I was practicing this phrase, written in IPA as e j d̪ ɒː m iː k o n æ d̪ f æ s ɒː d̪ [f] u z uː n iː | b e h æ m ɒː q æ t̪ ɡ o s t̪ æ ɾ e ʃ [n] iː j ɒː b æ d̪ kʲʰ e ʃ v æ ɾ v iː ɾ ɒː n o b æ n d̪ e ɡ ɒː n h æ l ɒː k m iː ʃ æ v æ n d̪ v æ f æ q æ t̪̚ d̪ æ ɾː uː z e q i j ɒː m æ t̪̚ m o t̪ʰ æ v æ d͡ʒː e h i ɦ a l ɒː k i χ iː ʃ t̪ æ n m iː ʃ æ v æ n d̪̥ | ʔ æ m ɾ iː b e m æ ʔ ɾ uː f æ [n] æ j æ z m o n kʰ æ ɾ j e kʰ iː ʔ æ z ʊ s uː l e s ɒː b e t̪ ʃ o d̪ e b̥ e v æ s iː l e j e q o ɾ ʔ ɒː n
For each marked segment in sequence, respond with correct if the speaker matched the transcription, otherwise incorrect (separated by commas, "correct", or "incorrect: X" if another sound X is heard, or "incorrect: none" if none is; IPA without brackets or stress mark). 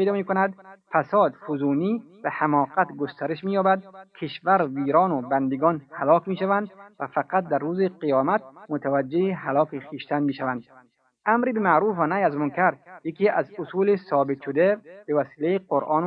correct, incorrect: m, correct